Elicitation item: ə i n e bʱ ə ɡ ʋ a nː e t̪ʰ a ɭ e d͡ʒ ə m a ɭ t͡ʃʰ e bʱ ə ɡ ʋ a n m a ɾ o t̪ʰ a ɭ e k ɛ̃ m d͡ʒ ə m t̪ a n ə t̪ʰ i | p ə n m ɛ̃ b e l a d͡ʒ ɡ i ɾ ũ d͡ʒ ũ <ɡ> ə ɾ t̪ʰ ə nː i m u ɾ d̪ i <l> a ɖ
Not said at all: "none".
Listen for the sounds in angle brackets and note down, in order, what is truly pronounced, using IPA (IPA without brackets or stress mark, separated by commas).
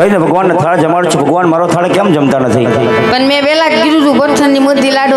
b, l